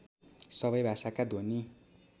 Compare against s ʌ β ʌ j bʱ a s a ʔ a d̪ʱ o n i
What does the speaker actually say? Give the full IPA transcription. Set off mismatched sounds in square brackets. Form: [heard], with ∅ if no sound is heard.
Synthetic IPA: s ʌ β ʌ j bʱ a s a [k] a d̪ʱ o n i